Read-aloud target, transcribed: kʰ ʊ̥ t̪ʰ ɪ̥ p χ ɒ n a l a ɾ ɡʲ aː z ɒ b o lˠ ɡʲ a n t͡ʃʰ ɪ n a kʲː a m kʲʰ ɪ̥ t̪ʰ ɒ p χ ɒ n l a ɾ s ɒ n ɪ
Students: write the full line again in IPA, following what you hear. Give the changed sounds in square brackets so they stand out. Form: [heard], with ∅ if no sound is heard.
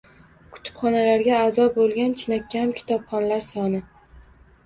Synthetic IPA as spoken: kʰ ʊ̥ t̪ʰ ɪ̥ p χ ɒ n a l a ɾ ɡʲ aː z ɒ b o lˠ ɡʲ a n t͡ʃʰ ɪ n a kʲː a m kʲʰ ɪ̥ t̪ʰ ɒ p χ ɒ n l a ɾ s ɒ n ɪ